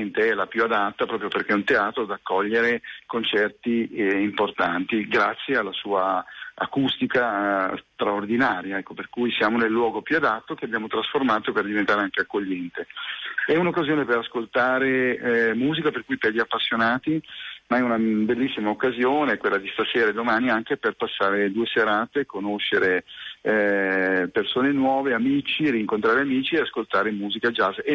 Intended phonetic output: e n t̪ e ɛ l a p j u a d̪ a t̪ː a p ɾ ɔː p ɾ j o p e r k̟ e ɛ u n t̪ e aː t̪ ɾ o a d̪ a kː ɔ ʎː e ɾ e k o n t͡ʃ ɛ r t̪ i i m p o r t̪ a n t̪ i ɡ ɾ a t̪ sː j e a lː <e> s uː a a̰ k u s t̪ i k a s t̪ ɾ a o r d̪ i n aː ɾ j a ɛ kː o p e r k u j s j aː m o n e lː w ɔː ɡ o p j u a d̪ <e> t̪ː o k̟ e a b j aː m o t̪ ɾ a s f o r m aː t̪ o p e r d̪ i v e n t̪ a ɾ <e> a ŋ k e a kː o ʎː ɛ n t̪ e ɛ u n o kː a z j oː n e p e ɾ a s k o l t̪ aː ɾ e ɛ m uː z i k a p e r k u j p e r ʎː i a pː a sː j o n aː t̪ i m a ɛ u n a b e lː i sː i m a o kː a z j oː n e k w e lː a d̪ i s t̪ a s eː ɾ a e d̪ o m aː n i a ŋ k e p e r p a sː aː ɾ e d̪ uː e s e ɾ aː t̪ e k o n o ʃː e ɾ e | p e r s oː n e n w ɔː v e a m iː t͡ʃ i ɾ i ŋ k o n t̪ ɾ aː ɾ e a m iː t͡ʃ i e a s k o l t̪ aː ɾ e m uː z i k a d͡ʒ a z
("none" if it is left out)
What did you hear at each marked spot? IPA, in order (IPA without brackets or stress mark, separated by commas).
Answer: a, a, e